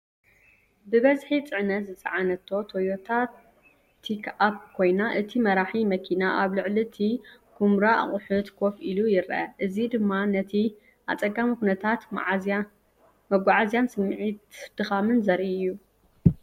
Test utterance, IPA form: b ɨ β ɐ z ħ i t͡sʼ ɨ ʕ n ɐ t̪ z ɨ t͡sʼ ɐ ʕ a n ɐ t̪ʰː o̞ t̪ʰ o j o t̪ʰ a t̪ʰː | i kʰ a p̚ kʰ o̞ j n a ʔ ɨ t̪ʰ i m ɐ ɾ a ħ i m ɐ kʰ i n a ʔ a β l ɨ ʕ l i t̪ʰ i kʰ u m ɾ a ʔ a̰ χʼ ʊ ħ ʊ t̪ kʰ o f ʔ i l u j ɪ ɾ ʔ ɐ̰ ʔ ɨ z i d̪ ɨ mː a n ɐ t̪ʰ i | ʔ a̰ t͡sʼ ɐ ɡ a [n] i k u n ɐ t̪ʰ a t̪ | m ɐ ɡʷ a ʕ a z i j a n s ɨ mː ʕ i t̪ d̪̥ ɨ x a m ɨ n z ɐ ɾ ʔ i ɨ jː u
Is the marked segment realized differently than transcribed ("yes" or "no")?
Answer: yes